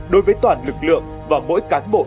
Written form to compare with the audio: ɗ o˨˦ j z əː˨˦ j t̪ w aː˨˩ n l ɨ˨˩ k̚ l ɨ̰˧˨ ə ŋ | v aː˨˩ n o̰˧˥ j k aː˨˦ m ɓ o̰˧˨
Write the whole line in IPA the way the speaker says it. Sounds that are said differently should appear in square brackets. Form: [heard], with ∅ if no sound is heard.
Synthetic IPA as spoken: ɗ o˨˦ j [v] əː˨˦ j t̪ w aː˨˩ n l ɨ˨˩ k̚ l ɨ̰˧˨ ə ŋ | v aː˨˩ [m] o̰˧˥ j k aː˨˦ [n] ɓ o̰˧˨